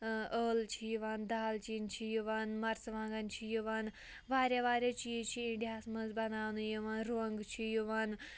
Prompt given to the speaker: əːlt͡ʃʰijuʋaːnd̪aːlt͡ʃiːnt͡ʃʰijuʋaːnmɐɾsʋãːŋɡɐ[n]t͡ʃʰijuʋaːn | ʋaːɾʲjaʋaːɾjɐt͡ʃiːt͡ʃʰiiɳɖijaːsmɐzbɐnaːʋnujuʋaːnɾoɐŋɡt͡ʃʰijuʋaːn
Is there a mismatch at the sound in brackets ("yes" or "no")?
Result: no